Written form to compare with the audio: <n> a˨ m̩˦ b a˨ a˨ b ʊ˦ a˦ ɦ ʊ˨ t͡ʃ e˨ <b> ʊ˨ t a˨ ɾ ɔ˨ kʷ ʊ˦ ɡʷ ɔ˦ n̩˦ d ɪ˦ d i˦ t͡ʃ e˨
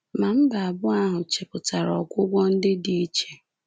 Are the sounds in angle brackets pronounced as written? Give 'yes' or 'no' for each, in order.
no, no

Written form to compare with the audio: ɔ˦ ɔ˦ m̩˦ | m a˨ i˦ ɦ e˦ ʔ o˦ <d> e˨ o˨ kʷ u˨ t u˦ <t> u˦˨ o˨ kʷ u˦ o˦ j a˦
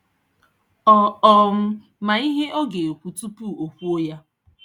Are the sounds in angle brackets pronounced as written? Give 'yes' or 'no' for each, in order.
no, no

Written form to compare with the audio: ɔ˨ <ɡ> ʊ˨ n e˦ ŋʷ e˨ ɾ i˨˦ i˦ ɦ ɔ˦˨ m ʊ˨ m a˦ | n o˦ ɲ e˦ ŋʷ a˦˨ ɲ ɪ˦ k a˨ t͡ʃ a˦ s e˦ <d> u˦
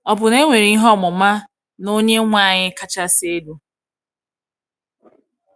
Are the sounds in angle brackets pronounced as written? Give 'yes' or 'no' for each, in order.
no, yes

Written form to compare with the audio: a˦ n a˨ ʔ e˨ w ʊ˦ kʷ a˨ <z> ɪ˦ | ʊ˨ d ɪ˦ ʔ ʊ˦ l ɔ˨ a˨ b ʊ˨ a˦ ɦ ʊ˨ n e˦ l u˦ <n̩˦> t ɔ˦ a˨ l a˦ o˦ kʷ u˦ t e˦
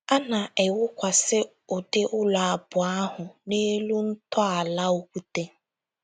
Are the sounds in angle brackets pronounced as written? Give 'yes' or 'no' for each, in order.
no, yes

